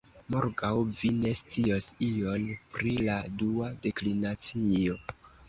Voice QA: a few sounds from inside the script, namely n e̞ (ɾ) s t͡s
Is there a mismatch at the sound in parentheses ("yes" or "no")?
yes